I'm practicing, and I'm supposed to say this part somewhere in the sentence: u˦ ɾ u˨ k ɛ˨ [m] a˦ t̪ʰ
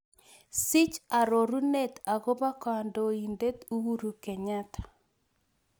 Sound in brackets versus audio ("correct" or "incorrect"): incorrect